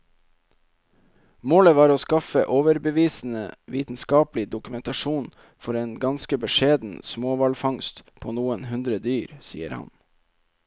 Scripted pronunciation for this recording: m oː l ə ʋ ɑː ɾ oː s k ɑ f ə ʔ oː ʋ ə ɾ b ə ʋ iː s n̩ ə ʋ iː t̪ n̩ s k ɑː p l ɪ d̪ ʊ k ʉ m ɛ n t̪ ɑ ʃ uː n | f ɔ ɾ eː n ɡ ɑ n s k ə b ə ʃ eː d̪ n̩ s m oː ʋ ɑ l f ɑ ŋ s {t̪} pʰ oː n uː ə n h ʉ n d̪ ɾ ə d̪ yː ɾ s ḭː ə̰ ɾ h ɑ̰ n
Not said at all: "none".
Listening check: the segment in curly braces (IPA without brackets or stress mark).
t̪